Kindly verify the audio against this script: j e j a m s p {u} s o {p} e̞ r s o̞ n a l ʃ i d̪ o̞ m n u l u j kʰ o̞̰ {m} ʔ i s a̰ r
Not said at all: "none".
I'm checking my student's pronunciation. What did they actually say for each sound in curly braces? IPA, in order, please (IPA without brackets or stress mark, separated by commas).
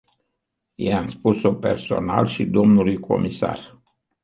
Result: u, p, m